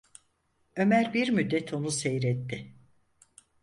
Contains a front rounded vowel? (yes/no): yes